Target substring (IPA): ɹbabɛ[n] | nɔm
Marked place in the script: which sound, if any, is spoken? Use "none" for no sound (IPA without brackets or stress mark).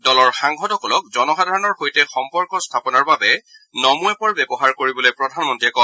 none